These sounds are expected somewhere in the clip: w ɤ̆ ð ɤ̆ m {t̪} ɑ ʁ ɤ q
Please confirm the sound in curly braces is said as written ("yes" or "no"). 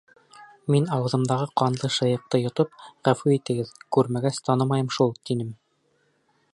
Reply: no